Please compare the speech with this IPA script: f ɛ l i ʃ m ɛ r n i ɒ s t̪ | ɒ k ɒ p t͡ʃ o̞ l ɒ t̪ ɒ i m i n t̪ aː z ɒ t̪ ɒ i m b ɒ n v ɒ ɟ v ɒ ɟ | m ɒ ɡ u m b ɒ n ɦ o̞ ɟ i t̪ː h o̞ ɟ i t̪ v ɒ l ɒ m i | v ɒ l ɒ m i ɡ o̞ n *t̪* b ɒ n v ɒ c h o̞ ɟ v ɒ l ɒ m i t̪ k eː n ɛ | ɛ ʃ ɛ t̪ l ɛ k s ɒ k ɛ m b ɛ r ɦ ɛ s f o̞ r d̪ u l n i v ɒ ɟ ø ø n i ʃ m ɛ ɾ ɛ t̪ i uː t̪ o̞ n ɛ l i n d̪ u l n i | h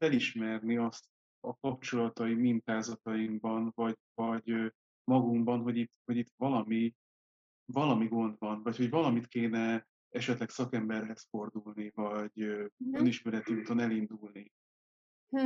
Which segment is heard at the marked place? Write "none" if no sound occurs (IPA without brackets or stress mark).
d̪